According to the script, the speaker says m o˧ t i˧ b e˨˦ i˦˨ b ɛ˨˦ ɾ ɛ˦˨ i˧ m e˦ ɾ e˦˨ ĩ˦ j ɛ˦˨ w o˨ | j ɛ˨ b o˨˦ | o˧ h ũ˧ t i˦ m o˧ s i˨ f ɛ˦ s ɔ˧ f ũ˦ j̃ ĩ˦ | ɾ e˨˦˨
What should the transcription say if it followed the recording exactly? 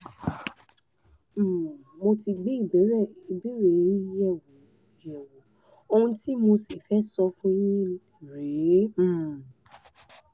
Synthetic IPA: m o˧ t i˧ ɡ͡b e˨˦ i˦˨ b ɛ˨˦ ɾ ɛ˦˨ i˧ b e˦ ɾ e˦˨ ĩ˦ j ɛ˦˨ w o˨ | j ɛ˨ w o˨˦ | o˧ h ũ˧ t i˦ m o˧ s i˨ f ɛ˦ s ɔ˧ f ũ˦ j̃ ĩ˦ | ɾ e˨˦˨

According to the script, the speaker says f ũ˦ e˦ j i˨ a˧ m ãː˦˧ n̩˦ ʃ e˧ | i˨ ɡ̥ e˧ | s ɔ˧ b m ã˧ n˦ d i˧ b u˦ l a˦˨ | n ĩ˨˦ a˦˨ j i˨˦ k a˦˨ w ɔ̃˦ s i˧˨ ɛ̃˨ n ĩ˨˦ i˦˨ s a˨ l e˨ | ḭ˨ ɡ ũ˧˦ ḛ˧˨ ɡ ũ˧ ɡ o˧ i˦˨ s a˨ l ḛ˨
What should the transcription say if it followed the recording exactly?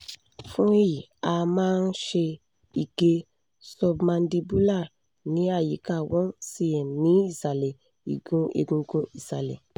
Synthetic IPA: f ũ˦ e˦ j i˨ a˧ m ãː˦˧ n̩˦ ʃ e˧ | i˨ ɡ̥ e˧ | s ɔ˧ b m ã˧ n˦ d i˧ b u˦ l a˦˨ | n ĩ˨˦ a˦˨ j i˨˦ k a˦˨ w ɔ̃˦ s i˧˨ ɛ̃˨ n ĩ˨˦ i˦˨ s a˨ l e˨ | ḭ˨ ɡ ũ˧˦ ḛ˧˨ ɡ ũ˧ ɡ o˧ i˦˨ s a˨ l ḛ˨

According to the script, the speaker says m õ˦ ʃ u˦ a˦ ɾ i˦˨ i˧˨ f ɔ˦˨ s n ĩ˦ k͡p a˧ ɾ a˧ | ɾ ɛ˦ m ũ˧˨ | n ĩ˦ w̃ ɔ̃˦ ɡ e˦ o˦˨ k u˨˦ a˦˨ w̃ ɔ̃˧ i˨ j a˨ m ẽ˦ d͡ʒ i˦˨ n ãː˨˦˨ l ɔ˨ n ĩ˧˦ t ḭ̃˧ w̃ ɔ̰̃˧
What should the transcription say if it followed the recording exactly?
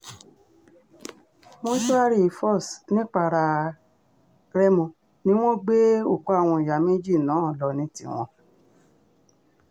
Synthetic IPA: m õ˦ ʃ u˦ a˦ ɾ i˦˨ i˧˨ f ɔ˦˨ s n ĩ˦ k͡p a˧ ɾ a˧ | ɾ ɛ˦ m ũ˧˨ | n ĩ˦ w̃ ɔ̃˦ ɡ͡b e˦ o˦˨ k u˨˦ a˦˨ w̃ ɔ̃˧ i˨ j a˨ m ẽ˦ d͡ʒ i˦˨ n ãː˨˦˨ l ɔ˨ n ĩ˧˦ t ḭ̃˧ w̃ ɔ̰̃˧

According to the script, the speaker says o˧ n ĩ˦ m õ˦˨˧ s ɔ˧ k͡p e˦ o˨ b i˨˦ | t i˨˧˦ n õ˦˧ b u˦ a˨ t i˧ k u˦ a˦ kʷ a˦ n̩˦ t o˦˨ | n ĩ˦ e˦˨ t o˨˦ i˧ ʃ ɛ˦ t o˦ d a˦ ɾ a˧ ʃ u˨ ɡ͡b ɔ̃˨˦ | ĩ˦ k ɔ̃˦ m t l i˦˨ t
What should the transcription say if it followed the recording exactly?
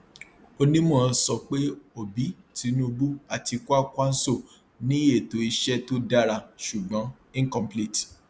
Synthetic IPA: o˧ n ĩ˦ m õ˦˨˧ s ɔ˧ k͡p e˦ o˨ b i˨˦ | t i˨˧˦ n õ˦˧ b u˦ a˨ t i˧ k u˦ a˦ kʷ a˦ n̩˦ s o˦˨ | n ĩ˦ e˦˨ t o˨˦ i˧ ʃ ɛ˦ t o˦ d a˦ ɾ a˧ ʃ u˨ ɡ͡b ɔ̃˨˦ | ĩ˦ k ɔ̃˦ m p l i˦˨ t

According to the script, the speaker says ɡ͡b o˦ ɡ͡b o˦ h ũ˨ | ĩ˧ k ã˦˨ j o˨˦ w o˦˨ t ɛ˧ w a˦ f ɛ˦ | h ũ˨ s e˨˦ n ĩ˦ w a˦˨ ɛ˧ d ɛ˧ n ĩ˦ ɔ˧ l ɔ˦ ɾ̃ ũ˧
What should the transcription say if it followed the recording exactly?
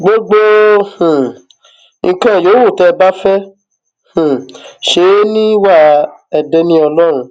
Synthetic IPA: ɡ͡b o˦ ɡ͡b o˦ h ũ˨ | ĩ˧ k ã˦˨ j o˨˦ w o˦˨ t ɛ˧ b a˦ f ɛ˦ | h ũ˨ ʃ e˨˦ n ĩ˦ w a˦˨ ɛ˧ d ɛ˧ n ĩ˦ ɔ˧ l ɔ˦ ɾ̃ ũ˧

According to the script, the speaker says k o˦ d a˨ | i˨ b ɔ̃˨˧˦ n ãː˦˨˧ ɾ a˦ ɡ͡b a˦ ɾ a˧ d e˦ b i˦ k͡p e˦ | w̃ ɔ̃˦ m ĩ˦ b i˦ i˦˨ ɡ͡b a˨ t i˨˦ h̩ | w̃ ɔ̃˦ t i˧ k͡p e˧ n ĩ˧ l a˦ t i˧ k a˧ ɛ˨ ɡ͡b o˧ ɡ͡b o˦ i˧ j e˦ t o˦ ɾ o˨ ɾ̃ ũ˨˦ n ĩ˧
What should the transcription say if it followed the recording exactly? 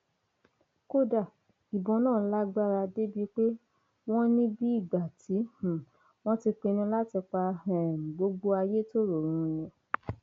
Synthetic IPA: k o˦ d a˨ | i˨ b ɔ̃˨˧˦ n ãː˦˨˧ l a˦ ɡ͡b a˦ ɾ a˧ d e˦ b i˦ k͡p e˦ | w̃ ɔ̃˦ n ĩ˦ b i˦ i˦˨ ɡ͡b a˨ t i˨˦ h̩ | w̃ ɔ̃˦ t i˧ k͡p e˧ n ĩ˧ l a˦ t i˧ k͡p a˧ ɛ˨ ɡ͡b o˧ ɡ͡b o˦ a˧ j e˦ t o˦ ɾ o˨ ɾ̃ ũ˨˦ n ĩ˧

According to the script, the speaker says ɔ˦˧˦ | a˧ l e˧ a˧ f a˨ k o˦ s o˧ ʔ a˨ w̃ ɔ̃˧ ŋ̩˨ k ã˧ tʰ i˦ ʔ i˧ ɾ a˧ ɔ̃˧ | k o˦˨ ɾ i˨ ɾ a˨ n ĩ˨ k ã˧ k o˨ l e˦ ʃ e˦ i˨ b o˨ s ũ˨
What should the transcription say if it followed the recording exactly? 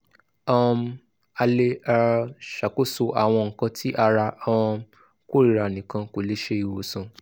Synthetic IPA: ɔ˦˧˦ | a˧ l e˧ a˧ ʃ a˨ k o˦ s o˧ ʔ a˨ w̃ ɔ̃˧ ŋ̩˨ k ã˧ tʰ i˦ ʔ a˧ ɾ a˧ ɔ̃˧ | k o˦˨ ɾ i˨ ɾ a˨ n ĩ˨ k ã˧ k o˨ l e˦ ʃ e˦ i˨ w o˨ s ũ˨

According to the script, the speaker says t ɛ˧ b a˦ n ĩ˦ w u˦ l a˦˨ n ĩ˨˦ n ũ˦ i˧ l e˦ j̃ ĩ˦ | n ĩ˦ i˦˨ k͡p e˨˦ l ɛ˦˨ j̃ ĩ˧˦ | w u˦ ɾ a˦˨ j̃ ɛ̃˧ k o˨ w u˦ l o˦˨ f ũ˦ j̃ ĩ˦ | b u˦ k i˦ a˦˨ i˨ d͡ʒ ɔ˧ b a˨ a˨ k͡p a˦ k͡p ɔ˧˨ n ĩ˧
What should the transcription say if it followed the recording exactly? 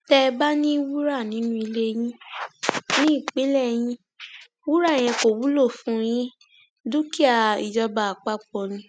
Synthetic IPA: t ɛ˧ b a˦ n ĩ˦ w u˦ ɾ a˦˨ n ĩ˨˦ n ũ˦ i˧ l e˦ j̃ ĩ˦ | n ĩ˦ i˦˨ k͡p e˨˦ l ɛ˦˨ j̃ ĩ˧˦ | w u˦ ɾ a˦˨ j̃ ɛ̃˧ k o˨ w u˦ l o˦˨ f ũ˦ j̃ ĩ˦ | d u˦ k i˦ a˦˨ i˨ d͡ʒ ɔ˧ b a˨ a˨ k͡p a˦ k͡p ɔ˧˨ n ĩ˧

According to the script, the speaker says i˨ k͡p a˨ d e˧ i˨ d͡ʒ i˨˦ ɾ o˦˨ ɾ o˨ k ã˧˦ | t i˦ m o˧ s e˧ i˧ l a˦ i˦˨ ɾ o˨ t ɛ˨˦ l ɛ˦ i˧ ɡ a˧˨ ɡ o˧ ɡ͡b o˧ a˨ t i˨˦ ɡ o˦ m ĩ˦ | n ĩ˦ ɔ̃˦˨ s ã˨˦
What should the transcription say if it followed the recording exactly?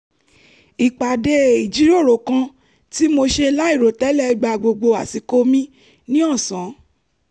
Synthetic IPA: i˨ k͡p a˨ d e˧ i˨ d͡ʒ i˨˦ ɾ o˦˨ ɾ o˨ k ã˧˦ | t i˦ m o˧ ʃ e˧ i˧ l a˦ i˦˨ ɾ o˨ t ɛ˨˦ l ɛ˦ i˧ ɡ͡b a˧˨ ɡ͡b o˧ ɡ͡b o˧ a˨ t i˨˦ k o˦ m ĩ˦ | n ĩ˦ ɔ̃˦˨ s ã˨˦

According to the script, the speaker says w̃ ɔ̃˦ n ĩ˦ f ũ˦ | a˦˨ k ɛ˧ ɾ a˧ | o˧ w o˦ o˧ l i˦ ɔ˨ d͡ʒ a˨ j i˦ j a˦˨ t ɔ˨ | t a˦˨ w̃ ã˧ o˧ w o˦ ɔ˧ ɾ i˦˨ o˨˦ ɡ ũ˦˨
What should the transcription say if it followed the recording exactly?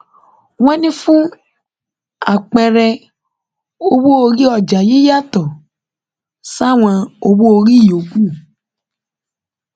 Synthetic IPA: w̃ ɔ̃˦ n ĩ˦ f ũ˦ | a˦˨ k͡p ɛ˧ ɾ ɛ˧ | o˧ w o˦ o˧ ɾ i˦ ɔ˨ d͡ʒ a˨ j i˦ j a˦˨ t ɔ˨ | s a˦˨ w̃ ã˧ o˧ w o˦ o˧ ɾ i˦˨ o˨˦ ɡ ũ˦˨

